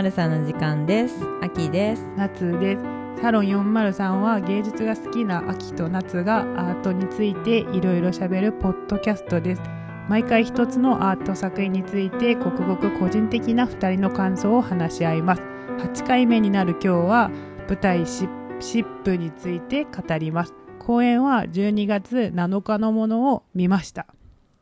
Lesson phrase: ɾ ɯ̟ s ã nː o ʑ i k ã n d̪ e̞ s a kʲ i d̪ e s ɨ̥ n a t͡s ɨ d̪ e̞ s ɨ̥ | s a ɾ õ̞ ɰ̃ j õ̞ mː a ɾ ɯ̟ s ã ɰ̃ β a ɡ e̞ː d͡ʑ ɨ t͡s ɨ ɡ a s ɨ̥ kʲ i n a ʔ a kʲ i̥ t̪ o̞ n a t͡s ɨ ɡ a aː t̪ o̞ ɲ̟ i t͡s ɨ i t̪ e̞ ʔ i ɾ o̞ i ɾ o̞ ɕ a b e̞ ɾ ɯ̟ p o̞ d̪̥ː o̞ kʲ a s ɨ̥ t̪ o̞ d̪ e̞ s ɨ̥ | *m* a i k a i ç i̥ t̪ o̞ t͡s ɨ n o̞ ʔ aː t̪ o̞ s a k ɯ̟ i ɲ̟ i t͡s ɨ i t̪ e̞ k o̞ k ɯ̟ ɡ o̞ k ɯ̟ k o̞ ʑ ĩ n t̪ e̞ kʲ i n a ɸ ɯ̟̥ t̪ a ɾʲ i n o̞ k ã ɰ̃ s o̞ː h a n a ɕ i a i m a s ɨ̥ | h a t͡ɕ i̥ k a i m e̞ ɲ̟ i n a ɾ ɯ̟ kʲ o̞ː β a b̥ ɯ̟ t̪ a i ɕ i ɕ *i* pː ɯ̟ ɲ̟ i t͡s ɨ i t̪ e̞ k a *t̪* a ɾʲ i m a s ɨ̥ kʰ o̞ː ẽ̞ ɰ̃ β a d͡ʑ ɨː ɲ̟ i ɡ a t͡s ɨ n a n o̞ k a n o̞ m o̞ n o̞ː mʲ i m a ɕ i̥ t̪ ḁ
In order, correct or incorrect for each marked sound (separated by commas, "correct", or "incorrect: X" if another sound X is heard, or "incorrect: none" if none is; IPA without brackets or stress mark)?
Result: correct, correct, correct